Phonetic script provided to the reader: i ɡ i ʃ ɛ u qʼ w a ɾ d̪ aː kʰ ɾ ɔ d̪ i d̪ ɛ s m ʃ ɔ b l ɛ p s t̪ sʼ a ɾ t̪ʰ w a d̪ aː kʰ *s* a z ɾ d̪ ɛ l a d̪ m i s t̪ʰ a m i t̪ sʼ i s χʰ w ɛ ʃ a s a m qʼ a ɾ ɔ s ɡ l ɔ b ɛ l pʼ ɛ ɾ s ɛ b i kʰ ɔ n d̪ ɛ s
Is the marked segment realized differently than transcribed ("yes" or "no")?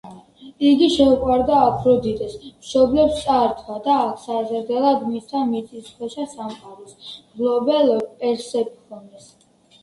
no